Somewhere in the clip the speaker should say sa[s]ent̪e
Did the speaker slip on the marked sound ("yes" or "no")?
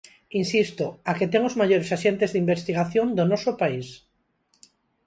yes